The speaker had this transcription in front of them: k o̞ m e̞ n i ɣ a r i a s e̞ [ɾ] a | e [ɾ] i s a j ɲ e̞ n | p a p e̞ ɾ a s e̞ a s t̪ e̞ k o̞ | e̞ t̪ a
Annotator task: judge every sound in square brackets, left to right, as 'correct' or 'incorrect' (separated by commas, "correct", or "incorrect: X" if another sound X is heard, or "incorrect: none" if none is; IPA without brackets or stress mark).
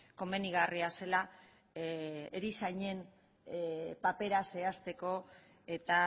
incorrect: l, correct